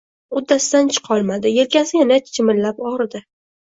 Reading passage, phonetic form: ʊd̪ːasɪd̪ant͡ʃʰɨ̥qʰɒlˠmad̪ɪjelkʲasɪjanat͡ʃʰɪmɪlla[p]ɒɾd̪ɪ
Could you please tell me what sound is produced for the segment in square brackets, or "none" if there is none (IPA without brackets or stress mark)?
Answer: p